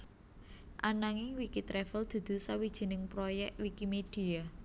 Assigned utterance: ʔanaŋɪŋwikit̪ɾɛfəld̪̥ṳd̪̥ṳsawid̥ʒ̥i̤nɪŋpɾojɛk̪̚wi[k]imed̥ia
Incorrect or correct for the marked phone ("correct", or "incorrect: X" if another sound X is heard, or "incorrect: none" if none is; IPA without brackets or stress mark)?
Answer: correct